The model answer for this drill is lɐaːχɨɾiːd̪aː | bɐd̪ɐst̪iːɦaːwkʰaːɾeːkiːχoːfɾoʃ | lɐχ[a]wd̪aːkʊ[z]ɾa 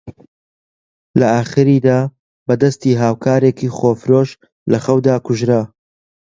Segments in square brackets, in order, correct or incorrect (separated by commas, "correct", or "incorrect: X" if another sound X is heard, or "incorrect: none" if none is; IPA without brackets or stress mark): incorrect: ɐ, incorrect: ʒ